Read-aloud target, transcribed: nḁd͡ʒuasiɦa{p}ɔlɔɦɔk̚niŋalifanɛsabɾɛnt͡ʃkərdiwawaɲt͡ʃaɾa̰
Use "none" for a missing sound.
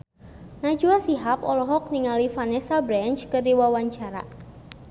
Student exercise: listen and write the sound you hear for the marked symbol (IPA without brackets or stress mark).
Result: p